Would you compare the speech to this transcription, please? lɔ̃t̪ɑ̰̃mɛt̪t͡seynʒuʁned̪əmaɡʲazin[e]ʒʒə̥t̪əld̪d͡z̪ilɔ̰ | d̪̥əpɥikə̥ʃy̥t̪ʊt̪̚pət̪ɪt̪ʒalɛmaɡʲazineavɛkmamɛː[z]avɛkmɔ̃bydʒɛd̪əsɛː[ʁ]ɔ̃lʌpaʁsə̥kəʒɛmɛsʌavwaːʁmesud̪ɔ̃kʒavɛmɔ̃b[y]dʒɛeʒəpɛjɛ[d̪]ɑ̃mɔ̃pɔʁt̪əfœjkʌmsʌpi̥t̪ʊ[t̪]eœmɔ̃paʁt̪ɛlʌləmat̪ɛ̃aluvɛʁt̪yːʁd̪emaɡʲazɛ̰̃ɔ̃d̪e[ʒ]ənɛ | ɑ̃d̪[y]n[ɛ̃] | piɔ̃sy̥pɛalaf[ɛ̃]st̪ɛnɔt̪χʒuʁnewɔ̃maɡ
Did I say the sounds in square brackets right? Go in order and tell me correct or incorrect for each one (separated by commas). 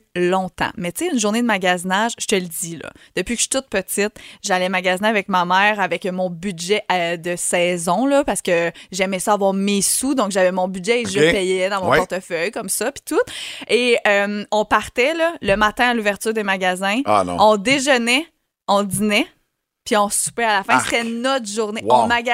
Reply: incorrect, incorrect, incorrect, correct, correct, correct, correct, incorrect, incorrect, correct